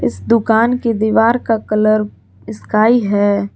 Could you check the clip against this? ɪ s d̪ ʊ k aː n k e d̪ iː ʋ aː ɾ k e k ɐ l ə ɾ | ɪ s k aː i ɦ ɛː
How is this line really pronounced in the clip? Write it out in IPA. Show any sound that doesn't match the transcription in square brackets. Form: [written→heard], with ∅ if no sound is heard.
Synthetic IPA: ɪ s d̪ ʊ k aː n k e d̪ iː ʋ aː ɾ k [e→a] k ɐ l ə ɾ | ɪ s k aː i ɦ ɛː